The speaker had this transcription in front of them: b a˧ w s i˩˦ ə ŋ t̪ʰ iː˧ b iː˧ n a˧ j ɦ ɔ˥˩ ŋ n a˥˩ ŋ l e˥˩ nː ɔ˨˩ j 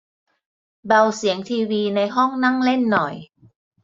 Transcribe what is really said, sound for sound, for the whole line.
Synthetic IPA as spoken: b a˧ w s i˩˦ ə ŋ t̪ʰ iː˧ w iː˧ n a˧ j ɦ ɔ˥˩ ŋ n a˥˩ ŋ l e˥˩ nː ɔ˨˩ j